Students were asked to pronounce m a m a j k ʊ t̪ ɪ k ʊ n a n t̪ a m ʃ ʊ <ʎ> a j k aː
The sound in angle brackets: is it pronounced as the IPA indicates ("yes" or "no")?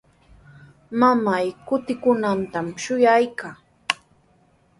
no